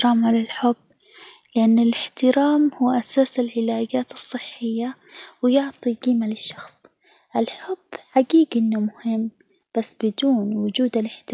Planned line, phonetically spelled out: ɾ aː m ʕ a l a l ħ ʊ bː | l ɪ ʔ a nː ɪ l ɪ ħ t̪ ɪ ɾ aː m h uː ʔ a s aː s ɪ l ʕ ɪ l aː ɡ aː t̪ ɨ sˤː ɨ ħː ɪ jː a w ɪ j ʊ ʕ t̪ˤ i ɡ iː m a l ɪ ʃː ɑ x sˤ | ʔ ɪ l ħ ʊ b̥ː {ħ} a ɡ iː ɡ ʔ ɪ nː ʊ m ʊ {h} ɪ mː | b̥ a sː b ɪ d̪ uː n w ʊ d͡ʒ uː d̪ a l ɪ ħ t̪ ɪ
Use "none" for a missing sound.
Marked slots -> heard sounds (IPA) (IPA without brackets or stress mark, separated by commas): ħ, h